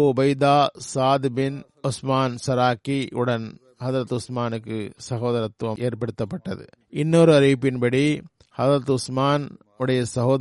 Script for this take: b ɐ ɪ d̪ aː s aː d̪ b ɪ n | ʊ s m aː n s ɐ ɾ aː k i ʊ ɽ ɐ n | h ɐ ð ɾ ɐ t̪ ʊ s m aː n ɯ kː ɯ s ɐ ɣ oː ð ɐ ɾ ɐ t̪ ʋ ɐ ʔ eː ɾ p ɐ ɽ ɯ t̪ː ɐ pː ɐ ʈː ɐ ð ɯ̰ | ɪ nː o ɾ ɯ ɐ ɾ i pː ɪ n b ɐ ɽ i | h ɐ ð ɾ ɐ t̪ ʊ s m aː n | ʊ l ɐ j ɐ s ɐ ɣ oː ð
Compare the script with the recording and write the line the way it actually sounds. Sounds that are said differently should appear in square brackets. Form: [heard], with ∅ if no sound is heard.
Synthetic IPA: b ɐ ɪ d̪ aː s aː d̪ b ɪ n | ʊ s m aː n s ɐ ɾ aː k i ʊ ɽ ɐ n | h ɐ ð ɾ ɐ t̪ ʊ s m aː n ɯ kː ɯ s ɐ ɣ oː ð ɐ ɾ ɐ t̪ ʋ ɐ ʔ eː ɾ p ɐ ɽ ɯ t̪ː ɐ pː ɐ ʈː ɐ ð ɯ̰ | ɪ nː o ɾ ɯ ɐ ɾ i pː ɪ n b ɐ ɽ i | h ɐ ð ɾ ɐ t̪ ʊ s m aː n | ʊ [ɽ] ɐ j ɐ s ɐ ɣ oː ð